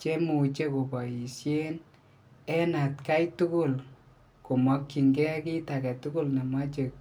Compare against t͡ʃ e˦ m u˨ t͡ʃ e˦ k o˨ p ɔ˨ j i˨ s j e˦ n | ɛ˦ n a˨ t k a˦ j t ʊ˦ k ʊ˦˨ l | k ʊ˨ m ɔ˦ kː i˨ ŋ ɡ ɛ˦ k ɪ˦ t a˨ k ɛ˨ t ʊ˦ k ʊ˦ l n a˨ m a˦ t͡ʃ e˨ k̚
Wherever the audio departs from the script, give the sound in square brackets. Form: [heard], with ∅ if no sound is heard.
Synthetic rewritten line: t͡ʃ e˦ m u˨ t͡ʃ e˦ k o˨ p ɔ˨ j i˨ s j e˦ n | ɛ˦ n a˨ t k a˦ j t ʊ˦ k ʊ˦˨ l | k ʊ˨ m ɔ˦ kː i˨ ŋ ɡ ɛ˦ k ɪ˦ t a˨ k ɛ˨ t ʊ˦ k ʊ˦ l n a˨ m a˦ t͡ʃ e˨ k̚